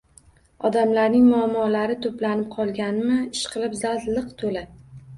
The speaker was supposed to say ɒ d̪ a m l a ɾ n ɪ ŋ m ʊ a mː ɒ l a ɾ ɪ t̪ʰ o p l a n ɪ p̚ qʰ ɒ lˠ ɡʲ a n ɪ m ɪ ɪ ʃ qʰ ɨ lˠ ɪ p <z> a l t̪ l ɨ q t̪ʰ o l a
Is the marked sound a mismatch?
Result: no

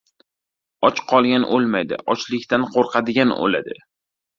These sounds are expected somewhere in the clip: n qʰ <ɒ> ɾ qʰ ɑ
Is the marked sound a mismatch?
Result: yes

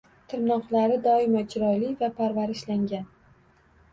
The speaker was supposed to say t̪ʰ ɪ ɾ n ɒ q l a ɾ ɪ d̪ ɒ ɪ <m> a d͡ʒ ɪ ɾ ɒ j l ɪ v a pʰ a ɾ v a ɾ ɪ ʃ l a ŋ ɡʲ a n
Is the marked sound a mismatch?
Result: no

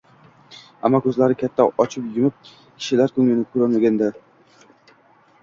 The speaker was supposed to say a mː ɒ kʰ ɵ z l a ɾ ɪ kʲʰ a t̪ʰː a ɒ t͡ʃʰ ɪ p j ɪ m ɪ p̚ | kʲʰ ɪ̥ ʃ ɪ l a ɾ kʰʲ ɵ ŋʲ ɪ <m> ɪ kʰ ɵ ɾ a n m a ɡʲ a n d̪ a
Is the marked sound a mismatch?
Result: yes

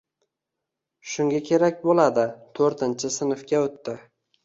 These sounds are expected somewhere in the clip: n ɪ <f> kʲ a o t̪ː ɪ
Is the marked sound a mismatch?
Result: no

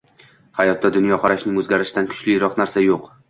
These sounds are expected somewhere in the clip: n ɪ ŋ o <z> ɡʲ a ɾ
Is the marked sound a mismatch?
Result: no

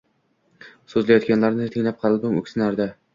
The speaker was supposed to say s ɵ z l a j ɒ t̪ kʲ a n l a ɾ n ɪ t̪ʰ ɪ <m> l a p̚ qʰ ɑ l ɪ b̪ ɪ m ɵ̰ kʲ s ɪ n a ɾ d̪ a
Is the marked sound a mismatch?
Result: yes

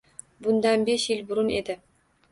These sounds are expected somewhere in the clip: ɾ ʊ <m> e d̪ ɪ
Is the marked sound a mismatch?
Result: yes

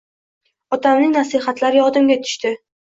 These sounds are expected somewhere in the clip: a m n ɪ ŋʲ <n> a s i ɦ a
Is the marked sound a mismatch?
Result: no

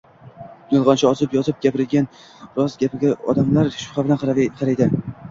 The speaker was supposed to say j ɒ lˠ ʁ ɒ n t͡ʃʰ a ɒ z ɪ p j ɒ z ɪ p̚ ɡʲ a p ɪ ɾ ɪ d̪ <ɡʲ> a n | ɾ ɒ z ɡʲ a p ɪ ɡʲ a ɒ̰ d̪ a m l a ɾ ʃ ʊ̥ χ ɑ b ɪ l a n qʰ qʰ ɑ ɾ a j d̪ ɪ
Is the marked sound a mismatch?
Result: no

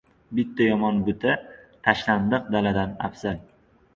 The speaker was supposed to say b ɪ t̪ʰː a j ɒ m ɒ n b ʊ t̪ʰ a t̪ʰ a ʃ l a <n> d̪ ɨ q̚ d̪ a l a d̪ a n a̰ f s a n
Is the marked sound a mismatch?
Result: no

